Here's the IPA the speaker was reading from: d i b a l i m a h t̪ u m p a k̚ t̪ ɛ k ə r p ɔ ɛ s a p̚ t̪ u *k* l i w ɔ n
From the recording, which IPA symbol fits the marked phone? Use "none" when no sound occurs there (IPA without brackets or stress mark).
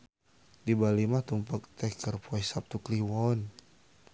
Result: k